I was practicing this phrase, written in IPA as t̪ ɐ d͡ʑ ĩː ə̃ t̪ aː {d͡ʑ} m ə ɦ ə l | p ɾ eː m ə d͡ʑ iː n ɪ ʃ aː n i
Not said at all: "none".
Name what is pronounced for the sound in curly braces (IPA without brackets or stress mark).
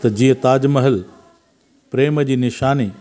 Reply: d͡ʑ